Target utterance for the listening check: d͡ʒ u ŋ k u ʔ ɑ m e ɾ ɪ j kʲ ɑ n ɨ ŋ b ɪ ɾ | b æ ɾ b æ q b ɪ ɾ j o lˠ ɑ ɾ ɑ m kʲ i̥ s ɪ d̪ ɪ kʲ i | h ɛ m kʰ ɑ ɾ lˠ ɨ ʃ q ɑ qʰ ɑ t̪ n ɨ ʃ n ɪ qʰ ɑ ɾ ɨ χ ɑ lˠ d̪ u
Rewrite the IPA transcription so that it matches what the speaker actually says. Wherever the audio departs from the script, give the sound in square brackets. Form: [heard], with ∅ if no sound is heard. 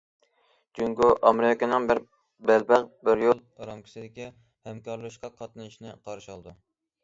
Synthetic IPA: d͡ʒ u ŋ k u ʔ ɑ m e ɾ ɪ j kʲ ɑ n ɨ ŋ b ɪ ɾ | b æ [l] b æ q b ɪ ɾ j o lˠ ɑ ɾ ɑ m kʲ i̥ s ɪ d̪ ɪ kʲ i | h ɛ m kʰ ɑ ɾ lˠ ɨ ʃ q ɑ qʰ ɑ t̪ n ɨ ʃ n ɪ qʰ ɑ ɾ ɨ [ʃ] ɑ lˠ d̪ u